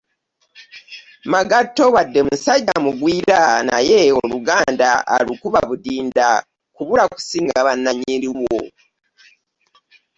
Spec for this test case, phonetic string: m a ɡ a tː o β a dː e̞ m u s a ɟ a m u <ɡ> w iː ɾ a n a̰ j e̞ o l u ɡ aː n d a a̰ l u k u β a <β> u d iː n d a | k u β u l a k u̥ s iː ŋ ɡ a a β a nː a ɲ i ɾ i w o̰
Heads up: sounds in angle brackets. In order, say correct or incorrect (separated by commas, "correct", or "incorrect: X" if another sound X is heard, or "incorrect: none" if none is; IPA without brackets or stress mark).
correct, correct